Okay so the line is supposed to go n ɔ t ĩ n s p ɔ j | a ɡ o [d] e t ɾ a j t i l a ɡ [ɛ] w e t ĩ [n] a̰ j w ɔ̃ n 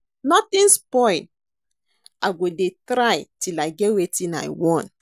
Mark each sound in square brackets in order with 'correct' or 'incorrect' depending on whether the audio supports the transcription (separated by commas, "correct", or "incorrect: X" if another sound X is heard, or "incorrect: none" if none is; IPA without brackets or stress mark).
correct, correct, correct